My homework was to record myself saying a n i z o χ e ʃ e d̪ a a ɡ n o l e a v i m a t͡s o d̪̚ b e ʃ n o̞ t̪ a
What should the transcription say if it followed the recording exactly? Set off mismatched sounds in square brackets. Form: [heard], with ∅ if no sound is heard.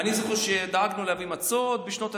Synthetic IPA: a n i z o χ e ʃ e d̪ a a ɡ n [u] l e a v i m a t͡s o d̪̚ b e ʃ n o̞ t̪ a

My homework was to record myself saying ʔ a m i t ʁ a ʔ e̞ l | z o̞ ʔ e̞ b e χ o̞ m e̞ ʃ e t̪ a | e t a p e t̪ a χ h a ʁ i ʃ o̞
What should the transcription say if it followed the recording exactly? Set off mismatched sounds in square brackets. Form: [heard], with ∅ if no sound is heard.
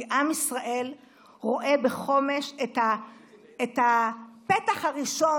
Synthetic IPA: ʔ a m i [s] ʁ a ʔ e̞ l | [ʁ] o̞ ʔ e̞ b e χ o̞ m e̞ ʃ e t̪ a | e t a p e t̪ a χ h a ʁ i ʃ o̞

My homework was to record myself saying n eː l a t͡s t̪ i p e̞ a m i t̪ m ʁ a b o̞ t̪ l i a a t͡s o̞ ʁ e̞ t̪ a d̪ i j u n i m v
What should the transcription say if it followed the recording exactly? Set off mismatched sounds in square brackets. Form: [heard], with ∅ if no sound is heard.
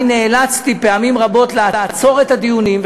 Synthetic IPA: n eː l a t͡s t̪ i p e̞ a m i [∅] m ʁ a b o̞ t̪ l [e] a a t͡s o̞ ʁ e̞ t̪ a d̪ i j u n i m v

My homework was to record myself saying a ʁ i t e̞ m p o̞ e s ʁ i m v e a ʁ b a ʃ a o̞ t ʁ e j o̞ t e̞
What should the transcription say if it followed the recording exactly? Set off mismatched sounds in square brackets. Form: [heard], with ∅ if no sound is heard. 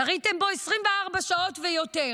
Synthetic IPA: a ʁ i t e̞ m [b] o̞ e s ʁ i m v e a ʁ b a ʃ a o̞ t [v] e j o̞ t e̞

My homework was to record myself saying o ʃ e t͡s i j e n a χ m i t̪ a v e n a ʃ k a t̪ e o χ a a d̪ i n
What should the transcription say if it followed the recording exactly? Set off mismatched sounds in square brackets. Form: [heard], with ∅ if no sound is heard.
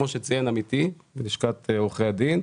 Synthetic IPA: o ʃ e t͡s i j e n a [∅] m i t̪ [i] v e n [i] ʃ k a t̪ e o χ [e] a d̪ i n

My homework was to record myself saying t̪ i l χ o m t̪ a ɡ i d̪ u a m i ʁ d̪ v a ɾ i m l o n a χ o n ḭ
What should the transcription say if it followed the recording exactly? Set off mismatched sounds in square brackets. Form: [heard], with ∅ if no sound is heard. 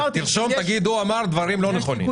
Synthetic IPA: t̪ i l [ʃ] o m t̪ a ɡ i d̪ u a m [a] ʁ d̪ v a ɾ i m l o n [e] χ o n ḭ

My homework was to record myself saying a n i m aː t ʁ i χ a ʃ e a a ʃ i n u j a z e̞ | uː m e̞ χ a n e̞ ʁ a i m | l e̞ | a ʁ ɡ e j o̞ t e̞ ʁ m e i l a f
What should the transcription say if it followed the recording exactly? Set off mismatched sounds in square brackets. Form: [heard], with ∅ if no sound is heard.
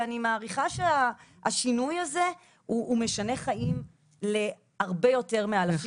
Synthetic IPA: a n i m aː [∅] ʁ i χ a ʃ e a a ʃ i n u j a z e̞ | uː m e̞ [ʃ] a n e̞ [χ] a i m | l e̞ | a ʁ [b] e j o̞ t e̞ ʁ m e [a] l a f

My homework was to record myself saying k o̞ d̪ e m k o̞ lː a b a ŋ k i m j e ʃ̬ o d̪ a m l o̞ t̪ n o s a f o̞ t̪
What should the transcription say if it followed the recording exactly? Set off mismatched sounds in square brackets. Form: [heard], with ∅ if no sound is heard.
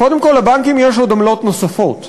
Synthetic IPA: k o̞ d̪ e m k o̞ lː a b a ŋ k i m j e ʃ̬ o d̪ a m l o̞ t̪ n o s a f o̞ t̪

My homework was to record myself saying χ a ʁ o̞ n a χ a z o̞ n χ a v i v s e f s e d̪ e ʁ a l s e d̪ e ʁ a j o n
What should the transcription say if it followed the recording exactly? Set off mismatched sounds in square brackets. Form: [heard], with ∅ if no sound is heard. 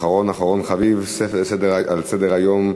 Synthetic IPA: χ a ʁ o̞ n a χ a [ʁ] o̞ n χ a v i v s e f s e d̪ e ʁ a l s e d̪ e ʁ a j o [m]

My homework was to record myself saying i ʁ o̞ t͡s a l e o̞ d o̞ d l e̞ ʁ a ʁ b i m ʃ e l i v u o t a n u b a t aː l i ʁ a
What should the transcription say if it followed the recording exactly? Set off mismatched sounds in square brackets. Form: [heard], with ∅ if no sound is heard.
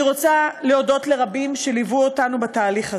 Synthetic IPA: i ʁ o̞ t͡s a l e o̞ d o̞ [t] l e̞ ʁ a [∅] b i m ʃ e l i v u o t a n u b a t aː l i [χ] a

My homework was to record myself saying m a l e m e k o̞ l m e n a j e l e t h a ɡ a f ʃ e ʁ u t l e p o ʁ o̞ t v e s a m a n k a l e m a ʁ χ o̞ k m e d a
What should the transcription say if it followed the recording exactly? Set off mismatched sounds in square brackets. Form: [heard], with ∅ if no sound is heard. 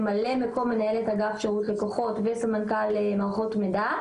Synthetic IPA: m a l e m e k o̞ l m e n a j e l e t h a ɡ a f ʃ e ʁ u t l e [k] o [χ] o̞ t v e s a m a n k a l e m a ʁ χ o̞ [t] m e d a

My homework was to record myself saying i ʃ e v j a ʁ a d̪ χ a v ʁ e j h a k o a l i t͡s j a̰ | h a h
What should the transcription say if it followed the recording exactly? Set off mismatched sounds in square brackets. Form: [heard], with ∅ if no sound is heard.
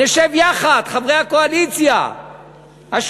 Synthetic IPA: [e] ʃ e v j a [χ] a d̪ χ a v ʁ e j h a k o a l i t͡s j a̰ | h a [ʃ]

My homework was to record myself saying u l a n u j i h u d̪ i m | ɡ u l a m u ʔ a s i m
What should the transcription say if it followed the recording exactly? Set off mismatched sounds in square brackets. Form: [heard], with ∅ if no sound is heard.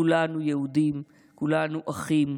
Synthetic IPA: u l a n u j [e] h u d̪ i m | [k] u l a [n] u ʔ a [χ] i m

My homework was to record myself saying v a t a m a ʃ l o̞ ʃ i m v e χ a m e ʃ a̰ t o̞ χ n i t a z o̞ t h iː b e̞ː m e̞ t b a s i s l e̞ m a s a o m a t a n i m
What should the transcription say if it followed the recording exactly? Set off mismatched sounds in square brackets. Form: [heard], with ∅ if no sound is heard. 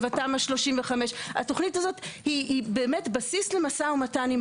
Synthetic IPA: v a t a m a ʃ l o̞ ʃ i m v e χ a m e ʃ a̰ t o̞ χ n i t a z o̞ t h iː b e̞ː m e̞ t b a s i s l e̞ m a s a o m a t a n i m

